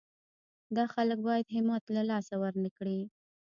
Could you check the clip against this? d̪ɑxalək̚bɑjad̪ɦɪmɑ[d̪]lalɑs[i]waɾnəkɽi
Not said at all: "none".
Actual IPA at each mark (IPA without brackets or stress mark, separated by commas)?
t̪, a